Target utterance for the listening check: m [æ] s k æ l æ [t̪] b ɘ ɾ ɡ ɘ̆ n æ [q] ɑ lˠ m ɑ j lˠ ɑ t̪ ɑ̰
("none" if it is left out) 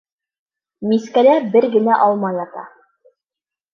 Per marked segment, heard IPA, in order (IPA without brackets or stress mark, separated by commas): i, none, ʔ